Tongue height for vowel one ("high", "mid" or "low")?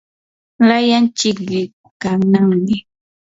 low